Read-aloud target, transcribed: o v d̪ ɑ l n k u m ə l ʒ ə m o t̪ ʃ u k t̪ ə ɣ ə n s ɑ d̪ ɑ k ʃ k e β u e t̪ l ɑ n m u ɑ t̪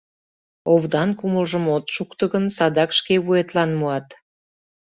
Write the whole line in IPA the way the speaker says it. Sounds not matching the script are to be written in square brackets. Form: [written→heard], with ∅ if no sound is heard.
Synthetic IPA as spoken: o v d̪ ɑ [l→∅] n k u m ə l ʒ ə m o t̪ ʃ u k t̪ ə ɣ ə n s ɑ d̪ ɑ k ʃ k e β u e t̪ l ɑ n m u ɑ t̪